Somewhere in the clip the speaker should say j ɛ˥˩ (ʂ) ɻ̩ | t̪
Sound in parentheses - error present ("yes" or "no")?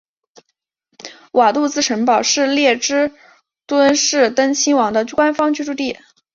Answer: yes